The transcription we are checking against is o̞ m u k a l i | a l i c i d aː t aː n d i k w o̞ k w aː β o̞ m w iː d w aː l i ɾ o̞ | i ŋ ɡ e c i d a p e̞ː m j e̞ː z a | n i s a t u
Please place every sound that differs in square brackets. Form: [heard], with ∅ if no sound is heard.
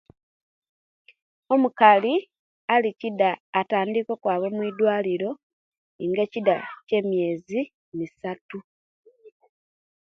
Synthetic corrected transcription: o̞ m u k a l i | a l i c i d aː t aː n d i k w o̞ k w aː β o̞ m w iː d w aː l i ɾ o̞ | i ŋ ɡ e c i d a [c] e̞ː m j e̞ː z [i] | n i s a t u